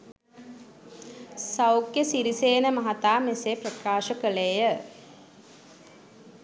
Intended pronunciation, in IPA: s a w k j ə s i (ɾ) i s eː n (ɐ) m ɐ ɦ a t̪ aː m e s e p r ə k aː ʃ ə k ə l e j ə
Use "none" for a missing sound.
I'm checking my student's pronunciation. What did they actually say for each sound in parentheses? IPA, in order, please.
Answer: ɾ, ə

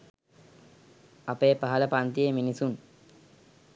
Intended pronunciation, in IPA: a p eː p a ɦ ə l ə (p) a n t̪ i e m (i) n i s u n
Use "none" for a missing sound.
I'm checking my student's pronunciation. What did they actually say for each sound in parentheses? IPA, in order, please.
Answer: p, i

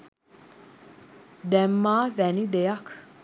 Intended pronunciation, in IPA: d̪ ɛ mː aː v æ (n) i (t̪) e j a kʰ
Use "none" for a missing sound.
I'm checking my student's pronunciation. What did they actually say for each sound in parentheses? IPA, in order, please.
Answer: n, d̪

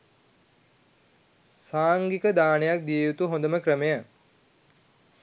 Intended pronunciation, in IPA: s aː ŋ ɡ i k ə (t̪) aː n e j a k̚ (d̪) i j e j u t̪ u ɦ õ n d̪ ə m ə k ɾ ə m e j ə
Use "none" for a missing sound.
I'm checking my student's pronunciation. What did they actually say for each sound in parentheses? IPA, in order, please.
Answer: d̪, d̪

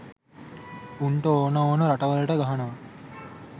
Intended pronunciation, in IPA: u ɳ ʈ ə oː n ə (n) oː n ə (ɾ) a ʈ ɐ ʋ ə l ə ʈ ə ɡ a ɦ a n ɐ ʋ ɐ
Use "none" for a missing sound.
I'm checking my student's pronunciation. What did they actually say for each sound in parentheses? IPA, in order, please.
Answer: none, ɾ

